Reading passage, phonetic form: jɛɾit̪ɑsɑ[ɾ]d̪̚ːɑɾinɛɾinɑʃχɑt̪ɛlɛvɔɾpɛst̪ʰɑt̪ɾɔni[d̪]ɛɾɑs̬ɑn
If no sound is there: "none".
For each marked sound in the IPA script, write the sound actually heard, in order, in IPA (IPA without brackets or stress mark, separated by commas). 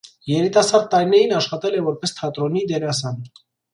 ɾ, d̪